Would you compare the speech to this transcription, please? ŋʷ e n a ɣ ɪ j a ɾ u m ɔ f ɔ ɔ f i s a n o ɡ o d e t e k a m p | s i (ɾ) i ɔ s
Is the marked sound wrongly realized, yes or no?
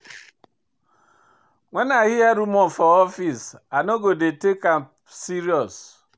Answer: no